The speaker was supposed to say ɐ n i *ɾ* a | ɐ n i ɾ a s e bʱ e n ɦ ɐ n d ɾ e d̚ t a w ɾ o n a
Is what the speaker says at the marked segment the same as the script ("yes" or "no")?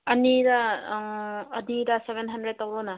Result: yes